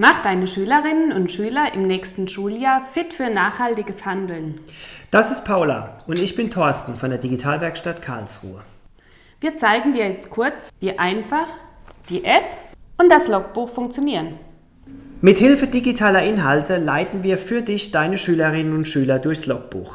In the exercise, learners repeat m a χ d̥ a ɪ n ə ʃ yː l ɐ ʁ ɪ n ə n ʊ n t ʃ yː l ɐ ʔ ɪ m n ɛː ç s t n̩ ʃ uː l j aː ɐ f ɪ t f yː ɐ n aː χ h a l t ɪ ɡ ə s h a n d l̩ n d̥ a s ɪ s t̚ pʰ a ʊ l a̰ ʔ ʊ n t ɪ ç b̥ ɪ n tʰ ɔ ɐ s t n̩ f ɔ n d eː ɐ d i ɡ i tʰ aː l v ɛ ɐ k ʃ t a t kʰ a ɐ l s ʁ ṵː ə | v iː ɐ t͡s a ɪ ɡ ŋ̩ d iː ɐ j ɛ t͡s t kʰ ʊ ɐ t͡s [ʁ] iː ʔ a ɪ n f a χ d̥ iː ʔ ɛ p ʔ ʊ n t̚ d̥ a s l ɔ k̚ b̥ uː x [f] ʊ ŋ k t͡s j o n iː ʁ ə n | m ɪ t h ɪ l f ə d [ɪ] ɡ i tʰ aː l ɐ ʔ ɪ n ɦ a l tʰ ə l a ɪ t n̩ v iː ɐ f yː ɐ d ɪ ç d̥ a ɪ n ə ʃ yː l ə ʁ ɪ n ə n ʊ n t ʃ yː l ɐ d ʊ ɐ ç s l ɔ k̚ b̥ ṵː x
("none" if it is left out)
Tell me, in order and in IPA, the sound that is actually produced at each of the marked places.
v, f, i

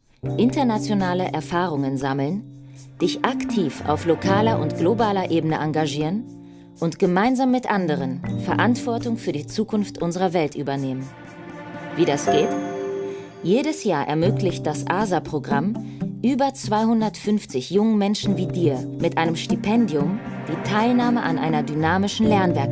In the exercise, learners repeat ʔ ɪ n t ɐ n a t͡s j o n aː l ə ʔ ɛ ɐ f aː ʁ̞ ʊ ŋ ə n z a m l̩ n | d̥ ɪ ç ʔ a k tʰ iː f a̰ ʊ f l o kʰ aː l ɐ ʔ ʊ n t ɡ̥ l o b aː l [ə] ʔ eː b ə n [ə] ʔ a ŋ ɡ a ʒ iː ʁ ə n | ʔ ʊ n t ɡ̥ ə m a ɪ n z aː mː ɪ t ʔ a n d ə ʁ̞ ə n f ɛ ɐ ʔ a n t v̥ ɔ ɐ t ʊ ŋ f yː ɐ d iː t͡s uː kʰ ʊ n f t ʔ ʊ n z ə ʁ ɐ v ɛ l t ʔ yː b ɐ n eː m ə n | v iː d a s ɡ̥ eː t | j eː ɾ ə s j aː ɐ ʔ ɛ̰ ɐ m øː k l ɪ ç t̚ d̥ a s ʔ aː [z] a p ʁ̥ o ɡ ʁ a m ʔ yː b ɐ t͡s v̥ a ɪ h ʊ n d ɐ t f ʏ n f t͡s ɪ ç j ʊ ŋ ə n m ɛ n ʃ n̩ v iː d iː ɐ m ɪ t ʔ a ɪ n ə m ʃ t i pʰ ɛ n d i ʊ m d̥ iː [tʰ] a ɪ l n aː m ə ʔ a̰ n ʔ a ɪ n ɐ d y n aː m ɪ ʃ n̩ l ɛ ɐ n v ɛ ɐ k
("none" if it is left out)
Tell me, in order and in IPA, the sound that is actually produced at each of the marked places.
ɐ, ə, z, tʰ

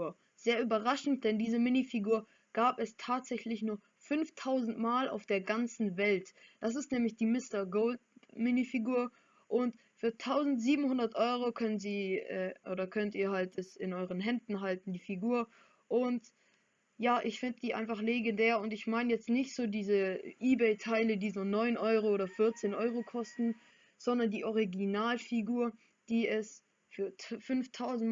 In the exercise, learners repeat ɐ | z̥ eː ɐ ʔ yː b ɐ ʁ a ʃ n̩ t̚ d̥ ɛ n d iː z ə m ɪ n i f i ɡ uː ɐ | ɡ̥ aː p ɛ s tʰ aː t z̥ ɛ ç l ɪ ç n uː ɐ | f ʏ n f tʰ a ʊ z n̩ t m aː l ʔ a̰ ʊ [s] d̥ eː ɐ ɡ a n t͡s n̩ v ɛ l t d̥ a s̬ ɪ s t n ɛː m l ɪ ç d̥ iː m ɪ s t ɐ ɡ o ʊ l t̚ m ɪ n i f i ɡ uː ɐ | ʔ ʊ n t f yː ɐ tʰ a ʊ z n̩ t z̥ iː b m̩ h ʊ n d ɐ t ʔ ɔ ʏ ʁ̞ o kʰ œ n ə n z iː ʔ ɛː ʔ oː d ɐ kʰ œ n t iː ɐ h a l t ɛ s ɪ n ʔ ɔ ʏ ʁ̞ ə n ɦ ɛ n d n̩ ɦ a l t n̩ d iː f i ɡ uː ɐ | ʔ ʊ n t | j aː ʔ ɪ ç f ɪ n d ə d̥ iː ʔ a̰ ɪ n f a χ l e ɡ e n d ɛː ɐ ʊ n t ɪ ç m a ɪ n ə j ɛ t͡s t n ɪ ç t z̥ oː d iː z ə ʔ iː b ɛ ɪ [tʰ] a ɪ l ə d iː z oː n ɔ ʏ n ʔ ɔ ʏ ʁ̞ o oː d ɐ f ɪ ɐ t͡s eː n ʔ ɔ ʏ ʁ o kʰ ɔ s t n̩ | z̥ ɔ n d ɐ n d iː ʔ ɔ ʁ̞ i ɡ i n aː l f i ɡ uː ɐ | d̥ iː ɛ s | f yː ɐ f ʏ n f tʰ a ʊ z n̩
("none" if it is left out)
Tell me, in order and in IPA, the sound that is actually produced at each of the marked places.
f, tʰ

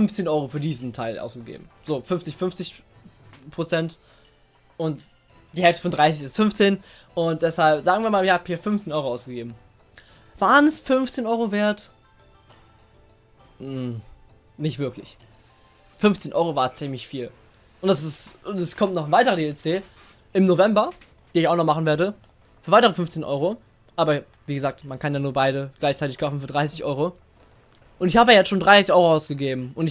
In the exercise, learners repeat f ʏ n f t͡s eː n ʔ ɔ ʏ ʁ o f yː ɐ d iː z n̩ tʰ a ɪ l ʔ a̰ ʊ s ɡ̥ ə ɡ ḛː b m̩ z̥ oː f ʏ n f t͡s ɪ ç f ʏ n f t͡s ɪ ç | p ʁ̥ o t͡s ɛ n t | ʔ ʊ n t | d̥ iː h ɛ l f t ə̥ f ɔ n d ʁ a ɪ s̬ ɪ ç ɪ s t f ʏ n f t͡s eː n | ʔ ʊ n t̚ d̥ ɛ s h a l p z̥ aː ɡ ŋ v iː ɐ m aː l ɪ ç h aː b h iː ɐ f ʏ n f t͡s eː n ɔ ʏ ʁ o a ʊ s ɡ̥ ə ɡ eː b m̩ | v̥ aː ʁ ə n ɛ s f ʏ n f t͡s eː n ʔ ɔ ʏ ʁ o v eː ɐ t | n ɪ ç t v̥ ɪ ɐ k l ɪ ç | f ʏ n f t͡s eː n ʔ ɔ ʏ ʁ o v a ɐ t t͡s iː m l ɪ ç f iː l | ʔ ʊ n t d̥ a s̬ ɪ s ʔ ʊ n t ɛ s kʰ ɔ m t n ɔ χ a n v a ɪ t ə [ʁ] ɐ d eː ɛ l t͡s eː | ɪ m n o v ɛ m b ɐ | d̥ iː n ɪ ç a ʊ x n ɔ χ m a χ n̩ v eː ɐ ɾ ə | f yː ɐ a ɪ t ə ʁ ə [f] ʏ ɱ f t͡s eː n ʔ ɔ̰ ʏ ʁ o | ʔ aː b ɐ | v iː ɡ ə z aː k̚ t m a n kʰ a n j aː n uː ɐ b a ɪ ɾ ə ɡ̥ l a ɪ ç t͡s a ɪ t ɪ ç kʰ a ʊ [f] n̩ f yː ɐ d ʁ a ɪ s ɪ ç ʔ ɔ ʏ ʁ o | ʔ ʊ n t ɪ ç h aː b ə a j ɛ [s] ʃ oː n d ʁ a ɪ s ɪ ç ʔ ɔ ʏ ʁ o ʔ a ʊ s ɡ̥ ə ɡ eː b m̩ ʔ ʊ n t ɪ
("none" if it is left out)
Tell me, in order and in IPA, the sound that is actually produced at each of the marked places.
ʁ, f, f, t͡s

